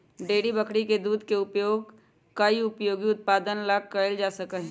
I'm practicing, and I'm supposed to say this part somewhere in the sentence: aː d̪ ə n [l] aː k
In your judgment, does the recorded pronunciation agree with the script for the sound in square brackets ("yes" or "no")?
yes